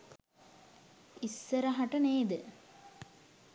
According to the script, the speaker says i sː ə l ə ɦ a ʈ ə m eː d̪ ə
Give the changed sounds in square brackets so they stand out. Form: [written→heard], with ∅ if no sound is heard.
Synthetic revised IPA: i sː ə [l→ɾ] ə ɦ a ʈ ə [m→n] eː d̪ ə